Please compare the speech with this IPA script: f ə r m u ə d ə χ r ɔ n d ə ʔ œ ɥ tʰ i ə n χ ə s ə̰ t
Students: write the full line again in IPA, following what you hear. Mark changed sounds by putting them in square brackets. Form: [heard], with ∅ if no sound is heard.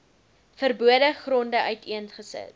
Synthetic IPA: f ə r [b] u ə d ə χ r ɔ n d ə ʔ œ ɥ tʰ i ə n χ ə s ə̰ t